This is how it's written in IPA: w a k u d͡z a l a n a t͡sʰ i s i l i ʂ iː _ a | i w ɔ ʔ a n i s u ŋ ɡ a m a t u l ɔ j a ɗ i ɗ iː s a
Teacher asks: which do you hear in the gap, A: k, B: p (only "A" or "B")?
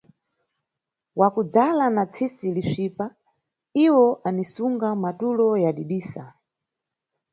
B